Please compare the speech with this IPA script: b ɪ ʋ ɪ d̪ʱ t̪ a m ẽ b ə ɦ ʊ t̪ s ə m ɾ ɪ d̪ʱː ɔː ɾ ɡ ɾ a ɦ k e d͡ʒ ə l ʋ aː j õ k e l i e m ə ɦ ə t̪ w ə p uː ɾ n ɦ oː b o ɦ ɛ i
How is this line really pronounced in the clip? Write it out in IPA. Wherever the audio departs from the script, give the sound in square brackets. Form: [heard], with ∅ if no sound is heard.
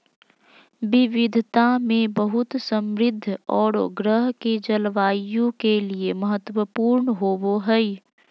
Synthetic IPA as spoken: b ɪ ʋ ɪ d̪ʱ t̪ a m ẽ b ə ɦ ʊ t̪ s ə m ɾ ɪ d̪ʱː ɔː ɾ ɡ ɾ [ə] ɦ k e d͡ʒ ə l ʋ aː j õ k e l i e m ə ɦ ə t̪ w ə p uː ɾ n ɦ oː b o ɦ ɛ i